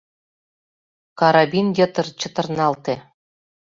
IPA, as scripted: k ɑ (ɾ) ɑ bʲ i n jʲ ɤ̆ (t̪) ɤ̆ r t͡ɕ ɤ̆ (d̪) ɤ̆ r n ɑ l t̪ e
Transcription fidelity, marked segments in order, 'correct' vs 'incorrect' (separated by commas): correct, correct, incorrect